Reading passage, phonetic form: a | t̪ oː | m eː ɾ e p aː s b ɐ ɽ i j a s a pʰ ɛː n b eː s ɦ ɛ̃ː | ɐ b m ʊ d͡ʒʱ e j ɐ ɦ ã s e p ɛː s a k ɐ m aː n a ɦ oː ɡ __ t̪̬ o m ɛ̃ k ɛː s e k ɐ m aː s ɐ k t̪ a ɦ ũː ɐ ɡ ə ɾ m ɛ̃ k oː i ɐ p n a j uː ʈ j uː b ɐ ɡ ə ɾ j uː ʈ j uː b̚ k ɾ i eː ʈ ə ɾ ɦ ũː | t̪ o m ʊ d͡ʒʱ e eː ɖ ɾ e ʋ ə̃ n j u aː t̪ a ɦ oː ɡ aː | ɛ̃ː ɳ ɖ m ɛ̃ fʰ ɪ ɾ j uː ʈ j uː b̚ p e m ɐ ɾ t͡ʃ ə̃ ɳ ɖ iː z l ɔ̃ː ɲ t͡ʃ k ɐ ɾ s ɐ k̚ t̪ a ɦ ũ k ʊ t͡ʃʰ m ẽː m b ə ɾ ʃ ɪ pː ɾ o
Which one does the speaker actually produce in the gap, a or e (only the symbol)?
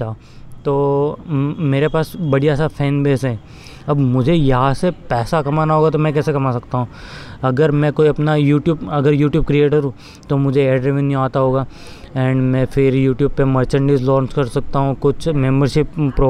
a